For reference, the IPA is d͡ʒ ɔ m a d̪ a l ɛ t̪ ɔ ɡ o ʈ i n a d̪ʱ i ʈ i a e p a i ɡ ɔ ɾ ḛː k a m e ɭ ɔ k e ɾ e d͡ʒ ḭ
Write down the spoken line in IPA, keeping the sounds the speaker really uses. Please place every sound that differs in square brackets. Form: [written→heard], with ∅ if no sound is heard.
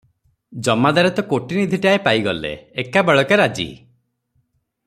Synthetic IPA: d͡ʒ ɔ m a d̪ a [l→ɾ] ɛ t̪ ɔ [ɡ→k] o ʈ i n [a→i] d̪ʱ i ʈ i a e p a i ɡ ɔ [ɾ→l] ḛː k a [m→b] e ɭ ɔ k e ɾ [e→a] d͡ʒ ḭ